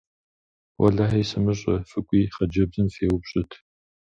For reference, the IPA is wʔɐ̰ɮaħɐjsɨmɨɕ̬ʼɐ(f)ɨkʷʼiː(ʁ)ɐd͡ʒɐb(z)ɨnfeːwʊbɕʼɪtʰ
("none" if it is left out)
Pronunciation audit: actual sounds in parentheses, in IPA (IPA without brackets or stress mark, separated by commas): f, χ, z